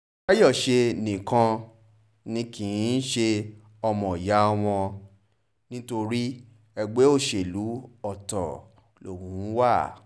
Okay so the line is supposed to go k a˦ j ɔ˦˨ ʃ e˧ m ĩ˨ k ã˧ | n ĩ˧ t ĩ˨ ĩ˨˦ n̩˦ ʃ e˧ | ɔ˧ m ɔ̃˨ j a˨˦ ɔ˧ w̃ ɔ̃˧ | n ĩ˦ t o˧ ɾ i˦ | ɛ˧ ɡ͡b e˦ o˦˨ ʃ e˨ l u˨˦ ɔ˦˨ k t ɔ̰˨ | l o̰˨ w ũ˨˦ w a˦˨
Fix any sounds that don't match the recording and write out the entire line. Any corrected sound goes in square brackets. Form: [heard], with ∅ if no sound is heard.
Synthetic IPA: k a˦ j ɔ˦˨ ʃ e˧ [n] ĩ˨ k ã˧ | n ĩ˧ [k] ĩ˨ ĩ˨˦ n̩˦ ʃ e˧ | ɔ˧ m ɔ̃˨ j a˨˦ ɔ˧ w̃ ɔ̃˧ | n ĩ˦ t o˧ ɾ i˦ | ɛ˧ ɡ͡b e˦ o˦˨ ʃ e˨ l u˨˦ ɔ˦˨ [∅] t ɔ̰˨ | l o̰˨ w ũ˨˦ w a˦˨